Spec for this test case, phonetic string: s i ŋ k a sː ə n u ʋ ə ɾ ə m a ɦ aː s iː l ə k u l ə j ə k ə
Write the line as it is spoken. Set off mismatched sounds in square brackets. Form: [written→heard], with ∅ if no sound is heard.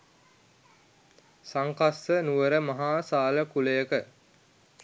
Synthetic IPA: s [i→a] ŋ k a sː ə n u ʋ ə ɾ ə m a ɦ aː s [iː→aː] l ə k u l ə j ə k ə

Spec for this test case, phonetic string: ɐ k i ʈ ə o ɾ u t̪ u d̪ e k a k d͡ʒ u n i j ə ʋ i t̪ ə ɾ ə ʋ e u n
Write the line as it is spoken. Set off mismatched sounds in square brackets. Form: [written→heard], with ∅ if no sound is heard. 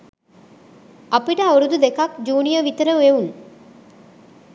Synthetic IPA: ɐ [k→p] i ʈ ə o ɾ u [t̪→d̪] u d̪ e k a k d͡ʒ [u→uː] n i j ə ʋ i t̪ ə ɾ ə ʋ e u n

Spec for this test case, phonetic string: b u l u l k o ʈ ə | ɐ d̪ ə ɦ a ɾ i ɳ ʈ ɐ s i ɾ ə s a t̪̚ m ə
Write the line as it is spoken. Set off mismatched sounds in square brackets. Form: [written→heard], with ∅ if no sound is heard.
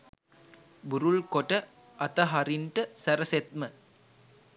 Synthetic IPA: b u [l→ɾ] u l k o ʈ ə | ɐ [d̪→t̪] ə ɦ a ɾ i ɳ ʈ [ɐ→ə] s [i→æ] ɾ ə s [a→e] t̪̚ m ə

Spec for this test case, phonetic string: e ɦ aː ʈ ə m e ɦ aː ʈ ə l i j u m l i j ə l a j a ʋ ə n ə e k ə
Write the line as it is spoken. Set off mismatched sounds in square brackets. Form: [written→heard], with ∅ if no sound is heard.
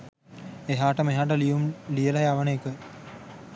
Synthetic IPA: e ɦ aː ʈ ə m e ɦ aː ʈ ə l i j u m l i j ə l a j a ʋ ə n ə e k ə

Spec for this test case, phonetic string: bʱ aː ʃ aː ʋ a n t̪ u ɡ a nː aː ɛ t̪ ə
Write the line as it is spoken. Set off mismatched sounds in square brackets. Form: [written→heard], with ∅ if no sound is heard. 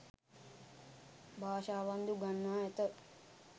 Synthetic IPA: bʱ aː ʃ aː ʋ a n [t̪→d̪] u ɡ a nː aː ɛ t̪ ə

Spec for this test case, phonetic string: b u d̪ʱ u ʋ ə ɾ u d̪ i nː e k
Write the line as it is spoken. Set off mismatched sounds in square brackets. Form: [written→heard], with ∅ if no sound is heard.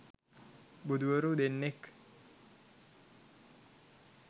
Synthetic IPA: b u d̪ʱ u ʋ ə ɾ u d̪ [i→e] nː e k

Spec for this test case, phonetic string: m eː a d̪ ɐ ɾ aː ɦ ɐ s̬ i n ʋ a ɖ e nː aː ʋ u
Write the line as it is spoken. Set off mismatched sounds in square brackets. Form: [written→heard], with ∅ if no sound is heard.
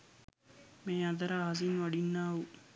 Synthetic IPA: m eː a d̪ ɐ ɾ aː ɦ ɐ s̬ i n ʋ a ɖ [e→i] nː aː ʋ u

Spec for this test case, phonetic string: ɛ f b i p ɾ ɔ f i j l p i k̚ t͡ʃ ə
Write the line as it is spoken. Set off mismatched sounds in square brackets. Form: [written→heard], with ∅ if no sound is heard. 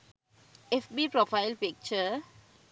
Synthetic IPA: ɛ f b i p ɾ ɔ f [i→a] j l p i k̚ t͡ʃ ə

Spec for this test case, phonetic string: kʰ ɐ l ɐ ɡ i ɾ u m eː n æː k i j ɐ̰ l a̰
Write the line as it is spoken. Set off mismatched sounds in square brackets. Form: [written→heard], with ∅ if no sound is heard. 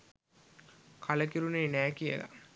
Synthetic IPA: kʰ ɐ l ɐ [ɡ→k] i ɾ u [m→n] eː n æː k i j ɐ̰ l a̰

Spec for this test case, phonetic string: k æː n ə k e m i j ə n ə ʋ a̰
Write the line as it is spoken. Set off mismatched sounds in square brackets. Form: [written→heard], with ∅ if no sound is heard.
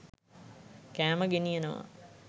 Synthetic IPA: k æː [n→m] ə [k→ɡ] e [m→n] i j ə n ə ʋ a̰

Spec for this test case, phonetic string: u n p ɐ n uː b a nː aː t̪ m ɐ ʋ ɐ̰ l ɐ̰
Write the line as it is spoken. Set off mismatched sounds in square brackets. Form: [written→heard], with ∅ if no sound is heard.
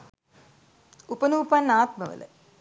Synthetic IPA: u [n→∅] p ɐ n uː [b→p] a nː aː t̪ m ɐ ʋ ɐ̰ l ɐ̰

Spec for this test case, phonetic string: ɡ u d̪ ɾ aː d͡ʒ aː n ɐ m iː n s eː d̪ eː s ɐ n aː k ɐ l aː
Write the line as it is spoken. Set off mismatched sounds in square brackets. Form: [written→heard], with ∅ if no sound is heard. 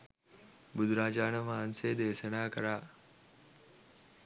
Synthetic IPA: [ɡ→b] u d̪ ɾ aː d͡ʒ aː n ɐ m [iː→aː] n s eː d̪ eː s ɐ n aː k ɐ [l→ɾ] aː

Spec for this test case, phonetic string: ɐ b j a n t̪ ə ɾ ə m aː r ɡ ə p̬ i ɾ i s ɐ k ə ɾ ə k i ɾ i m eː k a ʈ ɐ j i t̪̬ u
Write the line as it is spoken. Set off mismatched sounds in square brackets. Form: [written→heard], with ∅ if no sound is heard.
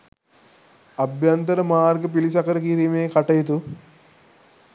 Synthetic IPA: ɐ b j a n t̪ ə ɾ ə m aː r ɡ ə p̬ i [ɾ→l] i s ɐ k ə ɾ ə k i ɾ i m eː k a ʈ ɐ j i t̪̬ u

